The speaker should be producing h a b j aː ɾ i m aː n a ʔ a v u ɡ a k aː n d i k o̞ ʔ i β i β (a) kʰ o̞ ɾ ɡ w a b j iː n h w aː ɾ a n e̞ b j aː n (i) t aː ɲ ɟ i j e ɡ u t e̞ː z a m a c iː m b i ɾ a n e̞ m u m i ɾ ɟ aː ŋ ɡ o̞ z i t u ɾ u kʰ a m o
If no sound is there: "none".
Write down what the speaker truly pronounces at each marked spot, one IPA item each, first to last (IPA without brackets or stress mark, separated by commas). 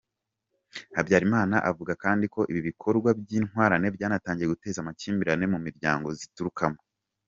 i, a